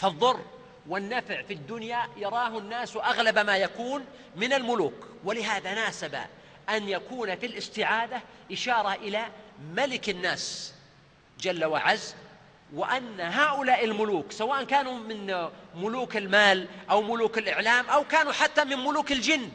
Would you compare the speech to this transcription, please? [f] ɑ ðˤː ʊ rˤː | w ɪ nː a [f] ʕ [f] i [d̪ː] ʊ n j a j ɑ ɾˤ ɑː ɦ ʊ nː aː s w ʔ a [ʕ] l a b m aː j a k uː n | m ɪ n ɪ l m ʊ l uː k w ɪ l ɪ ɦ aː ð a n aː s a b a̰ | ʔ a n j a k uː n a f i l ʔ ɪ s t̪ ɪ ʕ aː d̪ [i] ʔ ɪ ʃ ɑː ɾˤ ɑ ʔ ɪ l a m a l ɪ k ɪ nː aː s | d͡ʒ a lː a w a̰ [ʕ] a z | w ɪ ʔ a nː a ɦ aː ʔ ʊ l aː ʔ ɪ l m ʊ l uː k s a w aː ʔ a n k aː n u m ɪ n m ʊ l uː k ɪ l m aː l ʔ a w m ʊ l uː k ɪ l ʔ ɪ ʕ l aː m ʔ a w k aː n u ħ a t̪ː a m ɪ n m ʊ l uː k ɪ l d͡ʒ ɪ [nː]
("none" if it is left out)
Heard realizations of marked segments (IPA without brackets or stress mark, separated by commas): f, f, f, d̪ː, ɣ, a, ʕ, nː